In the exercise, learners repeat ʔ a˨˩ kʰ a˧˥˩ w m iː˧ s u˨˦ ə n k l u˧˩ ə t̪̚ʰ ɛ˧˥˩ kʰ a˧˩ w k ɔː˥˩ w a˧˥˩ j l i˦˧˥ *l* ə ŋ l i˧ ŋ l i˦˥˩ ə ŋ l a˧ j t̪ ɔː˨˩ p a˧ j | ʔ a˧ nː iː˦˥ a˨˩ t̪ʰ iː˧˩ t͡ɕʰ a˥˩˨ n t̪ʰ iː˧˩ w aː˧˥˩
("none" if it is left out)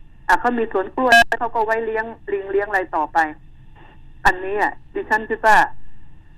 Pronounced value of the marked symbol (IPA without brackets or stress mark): none